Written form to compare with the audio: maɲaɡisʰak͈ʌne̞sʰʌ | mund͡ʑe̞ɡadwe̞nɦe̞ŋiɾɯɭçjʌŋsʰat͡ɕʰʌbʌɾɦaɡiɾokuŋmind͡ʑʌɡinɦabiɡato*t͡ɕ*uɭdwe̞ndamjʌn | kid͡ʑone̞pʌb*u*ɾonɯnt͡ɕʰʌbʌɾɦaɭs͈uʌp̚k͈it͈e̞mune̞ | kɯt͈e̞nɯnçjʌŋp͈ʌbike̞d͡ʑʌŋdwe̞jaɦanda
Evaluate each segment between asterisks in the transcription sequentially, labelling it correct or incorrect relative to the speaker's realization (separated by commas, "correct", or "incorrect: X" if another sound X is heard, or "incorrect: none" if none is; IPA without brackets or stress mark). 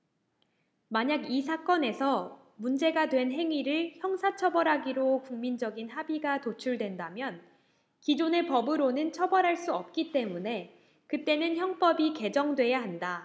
incorrect: t͡ɕʰ, incorrect: ɯ